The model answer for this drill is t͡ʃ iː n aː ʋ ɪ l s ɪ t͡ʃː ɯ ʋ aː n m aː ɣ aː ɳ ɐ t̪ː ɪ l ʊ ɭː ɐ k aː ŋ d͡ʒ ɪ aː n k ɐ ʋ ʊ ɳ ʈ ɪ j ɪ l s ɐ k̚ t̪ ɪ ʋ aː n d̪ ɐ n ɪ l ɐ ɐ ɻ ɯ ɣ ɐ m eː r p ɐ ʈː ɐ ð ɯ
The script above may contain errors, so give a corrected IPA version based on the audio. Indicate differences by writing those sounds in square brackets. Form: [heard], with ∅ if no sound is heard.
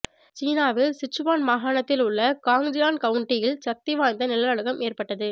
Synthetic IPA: t͡ʃ iː n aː ʋ ɪ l s ɪ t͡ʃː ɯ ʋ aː n m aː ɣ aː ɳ ɐ t̪ː ɪ l ʊ ɭː ɐ k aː ŋ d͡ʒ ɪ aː n k ɐ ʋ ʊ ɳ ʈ ɪ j ɪ l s ɐ k̚ t̪ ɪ ʋ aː n d̪ ɐ n ɪ l ɐ ɐ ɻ ɯ ɣ ɐ m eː r p ɐ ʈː ɐ ð ɯ